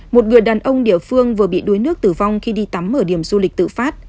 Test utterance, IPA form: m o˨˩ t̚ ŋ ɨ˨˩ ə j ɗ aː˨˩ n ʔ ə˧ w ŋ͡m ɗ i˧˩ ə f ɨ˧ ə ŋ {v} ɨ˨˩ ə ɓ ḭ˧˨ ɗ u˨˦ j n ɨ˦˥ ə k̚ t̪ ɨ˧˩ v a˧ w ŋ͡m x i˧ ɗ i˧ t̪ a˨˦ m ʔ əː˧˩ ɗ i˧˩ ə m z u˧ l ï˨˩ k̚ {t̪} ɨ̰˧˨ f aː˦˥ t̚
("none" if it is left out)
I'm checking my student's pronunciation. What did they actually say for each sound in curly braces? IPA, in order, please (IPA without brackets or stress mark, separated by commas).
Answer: v, t̪